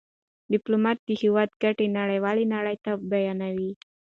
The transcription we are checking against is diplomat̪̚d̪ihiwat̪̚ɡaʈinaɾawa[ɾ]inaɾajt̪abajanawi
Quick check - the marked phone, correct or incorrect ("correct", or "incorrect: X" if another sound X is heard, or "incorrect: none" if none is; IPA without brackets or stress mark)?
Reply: incorrect: l